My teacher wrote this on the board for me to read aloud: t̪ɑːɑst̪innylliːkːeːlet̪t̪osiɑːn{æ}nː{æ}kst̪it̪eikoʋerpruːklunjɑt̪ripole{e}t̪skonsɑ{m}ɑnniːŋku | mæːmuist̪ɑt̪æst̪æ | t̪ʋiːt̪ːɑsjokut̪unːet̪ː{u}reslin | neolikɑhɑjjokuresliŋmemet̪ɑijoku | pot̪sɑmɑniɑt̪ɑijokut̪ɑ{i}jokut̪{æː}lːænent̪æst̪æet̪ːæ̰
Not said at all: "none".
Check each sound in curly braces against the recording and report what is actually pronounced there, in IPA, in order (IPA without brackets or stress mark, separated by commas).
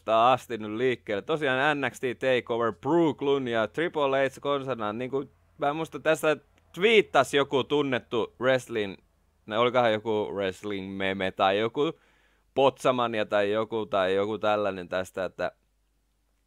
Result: æ, æ, i, n, u, i, æ